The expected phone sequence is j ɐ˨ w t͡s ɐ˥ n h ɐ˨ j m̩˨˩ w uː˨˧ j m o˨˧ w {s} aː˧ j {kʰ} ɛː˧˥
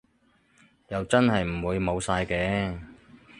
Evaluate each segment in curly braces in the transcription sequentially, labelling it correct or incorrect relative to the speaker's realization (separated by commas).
correct, incorrect